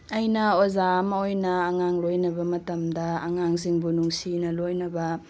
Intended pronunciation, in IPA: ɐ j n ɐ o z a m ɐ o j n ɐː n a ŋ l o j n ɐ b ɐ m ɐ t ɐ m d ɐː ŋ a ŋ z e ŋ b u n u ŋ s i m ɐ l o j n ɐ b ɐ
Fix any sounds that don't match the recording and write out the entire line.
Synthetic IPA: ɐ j n ɐ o z a m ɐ o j n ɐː ŋ a ŋ l o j n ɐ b ɐ m ɐ t ɐ m d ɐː ŋ a ŋ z i ŋ b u n u ŋ s i n ɐ l o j n ɐ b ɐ